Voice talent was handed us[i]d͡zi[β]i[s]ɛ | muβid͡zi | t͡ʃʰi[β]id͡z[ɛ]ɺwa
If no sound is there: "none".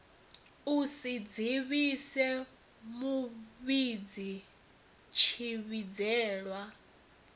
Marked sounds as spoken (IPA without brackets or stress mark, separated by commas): i, β, s, β, ɛː